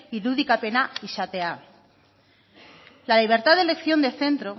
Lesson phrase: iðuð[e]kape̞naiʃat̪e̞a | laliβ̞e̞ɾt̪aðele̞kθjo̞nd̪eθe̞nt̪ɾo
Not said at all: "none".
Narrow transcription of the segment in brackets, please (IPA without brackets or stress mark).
i